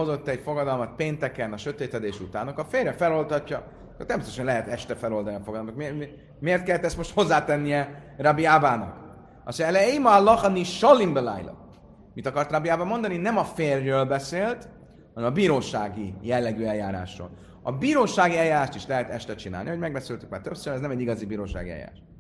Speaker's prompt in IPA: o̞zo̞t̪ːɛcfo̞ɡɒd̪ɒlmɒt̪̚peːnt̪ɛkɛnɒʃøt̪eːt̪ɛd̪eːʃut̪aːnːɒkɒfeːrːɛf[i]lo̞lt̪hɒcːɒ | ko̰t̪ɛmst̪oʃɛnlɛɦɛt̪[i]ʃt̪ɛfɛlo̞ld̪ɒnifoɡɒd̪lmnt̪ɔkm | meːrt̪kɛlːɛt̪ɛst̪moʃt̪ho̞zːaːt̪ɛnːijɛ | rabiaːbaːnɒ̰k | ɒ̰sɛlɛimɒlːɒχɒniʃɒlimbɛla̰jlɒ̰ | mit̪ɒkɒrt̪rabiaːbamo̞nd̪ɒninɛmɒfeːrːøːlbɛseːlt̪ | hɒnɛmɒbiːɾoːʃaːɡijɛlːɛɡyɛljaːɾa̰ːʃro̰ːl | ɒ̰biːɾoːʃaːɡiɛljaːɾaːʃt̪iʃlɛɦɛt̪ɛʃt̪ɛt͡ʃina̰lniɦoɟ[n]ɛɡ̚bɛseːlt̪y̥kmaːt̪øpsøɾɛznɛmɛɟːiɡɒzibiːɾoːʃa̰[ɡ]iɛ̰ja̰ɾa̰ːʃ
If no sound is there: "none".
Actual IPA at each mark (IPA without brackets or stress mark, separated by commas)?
ɛ, ɛ, m, ɡ